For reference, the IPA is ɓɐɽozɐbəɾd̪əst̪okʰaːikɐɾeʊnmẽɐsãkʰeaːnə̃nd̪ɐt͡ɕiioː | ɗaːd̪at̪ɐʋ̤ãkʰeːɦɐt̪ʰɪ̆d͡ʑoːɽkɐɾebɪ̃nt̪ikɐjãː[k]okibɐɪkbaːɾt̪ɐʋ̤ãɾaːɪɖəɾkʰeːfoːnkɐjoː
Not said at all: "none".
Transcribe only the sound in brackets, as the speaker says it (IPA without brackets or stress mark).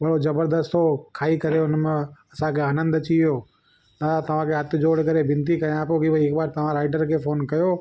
p